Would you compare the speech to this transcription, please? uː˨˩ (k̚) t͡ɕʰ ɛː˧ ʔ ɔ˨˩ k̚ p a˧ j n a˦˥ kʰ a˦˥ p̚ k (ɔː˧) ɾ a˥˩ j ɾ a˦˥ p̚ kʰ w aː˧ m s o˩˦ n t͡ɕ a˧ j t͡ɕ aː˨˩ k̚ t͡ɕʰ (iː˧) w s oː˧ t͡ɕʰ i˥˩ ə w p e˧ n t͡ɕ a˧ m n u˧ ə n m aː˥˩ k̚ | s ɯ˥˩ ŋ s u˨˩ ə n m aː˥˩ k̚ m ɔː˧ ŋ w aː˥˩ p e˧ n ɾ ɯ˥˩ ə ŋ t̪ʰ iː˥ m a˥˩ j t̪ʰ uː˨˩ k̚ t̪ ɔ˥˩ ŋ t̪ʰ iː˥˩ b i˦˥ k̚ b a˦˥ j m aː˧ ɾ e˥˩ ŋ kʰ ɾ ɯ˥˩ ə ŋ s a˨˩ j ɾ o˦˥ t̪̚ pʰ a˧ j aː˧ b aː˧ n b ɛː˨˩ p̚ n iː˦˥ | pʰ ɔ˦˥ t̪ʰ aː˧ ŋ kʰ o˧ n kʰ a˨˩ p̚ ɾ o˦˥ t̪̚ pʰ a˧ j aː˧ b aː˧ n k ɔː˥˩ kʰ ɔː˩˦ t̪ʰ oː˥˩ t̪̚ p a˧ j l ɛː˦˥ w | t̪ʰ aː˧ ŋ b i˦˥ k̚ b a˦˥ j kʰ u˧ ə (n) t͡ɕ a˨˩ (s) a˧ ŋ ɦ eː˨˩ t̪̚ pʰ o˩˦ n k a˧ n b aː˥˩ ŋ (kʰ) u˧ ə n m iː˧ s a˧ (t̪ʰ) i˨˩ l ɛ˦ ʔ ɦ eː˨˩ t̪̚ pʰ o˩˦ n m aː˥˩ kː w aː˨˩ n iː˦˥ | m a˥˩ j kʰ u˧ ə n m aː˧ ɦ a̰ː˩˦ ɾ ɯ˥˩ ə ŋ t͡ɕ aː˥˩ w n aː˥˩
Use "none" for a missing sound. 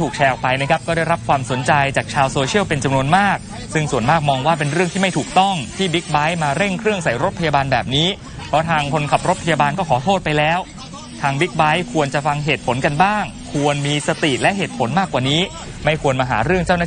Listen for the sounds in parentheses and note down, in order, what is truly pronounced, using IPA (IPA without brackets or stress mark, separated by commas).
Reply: k̚, ɔː˥˩, aː˧, n, f, kʰ, t̪